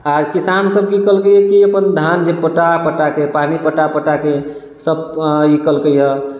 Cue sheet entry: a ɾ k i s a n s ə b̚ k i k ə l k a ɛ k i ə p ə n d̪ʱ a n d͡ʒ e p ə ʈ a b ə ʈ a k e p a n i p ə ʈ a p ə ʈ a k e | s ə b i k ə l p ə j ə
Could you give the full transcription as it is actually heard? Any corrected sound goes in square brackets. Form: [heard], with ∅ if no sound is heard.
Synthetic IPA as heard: a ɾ k i s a n s ə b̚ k i k ə l k [ə] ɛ k i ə p ə n d̪ʱ a n d͡ʒ e p ə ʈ a [p] ə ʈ a k e p a n i p ə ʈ a p ə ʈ a k e | s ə b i k ə l [k] ə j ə